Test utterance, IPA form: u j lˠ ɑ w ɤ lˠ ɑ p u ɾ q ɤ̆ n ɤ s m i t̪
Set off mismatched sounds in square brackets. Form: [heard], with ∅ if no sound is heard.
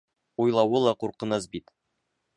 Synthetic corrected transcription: u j lˠ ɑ w ɤ lˠ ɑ [q] u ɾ q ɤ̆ n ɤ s [b] i t̪